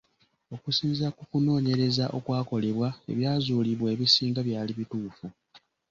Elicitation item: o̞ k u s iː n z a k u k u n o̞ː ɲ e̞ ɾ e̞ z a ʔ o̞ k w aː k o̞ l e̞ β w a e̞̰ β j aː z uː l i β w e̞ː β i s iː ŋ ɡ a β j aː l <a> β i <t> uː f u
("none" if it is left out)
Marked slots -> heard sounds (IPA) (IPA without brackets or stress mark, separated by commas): i, t